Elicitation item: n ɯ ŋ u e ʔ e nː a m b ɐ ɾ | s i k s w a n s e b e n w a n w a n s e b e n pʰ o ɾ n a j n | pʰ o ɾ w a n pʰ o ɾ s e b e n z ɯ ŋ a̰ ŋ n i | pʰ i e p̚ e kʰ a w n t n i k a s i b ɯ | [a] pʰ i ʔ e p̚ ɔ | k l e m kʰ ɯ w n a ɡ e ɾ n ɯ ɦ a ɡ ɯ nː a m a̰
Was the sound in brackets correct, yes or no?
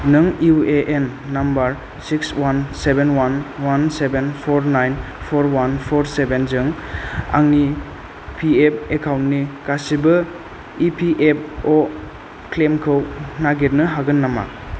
no